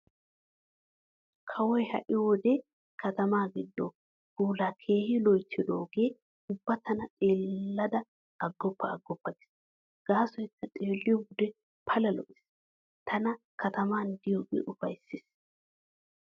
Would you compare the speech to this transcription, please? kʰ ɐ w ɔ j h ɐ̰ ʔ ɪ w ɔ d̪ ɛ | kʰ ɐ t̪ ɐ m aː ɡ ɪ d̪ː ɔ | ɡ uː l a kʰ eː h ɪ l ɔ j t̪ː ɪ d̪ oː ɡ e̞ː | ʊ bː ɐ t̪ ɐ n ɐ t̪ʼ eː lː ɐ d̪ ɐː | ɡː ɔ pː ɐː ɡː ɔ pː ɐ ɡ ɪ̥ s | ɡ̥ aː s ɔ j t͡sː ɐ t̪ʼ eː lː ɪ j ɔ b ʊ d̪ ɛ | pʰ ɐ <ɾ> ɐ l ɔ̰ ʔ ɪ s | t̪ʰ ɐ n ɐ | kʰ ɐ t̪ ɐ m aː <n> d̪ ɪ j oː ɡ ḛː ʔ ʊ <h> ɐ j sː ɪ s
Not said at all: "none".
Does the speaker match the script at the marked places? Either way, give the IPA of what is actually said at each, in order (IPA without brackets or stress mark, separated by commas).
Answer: l, n, f